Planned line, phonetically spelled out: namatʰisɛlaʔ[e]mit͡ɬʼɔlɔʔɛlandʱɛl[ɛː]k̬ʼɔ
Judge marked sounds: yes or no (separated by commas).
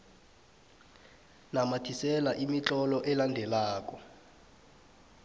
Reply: no, no